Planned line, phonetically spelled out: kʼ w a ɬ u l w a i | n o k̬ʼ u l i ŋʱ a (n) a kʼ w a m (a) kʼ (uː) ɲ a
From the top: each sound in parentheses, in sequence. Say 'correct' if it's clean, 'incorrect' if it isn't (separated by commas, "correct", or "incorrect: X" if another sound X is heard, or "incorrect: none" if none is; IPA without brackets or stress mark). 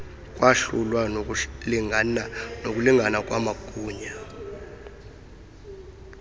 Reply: correct, correct, correct